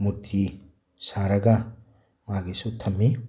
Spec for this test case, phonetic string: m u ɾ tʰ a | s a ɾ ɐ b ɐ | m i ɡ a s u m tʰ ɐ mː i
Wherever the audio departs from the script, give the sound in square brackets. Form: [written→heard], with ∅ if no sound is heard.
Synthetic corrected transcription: m u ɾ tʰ [a→i] | s a ɾ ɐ [b→ɡ] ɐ | m [i→a] ɡ [a→i] s u [m→∅] tʰ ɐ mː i